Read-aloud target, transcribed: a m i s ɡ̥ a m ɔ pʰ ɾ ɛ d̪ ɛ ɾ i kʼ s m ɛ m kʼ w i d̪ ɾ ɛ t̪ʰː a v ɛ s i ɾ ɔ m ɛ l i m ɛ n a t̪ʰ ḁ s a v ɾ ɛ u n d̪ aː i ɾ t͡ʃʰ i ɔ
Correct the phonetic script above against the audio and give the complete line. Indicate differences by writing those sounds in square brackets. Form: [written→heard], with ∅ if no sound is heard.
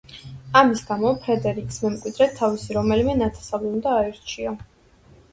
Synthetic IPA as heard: a m i s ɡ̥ a m ɔ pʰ ɾ ɛ d̪ ɛ ɾ i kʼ s m ɛ m kʼ w i d̪ ɾ ɛ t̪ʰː a v [ɛ→i] s i ɾ ɔ m ɛ l i m ɛ n a t̪ʰ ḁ s a v [ɾ→l] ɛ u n d̪ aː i ɾ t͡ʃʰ i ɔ